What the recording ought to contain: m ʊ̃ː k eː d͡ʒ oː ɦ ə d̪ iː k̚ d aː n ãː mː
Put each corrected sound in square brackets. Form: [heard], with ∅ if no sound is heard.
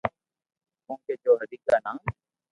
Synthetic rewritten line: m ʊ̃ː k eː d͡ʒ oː ɦ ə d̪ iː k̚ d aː n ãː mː